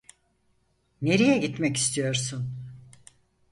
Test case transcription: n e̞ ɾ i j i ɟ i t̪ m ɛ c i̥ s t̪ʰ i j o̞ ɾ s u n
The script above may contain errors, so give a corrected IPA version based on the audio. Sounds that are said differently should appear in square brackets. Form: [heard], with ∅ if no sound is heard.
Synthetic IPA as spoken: n e̞ ɾ i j [ɛ] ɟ i t̪ m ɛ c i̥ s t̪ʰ i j o̞ ɾ s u n